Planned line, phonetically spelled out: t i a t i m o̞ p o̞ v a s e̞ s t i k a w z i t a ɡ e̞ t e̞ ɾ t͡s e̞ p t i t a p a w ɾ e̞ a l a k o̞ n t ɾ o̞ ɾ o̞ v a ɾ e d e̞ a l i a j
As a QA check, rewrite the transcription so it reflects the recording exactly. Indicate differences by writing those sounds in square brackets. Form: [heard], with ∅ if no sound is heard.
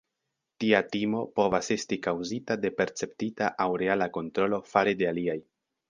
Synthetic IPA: t i a t i m o̞ p o̞ v a s e̞ s t i k a w z i t a [d] e̞ [p] e̞ ɾ t͡s e̞ p t i t a [ʔ] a w ɾ e̞ a l a k o̞ n t ɾ o̞ [l] o̞ [f] a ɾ e d e̞ a l i a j